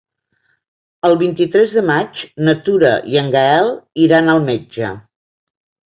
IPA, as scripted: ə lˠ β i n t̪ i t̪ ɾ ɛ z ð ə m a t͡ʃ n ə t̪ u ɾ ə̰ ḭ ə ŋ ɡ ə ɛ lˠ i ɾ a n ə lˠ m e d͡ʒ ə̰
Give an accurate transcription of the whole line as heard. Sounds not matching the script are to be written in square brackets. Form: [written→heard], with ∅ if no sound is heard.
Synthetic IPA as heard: ə lˠ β i n t̪ i t̪ ɾ ɛ z ð ə m a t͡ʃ n ə t̪ u ɾ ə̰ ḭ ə ŋ ɡ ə ɛ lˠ i ɾ a n ə lˠ m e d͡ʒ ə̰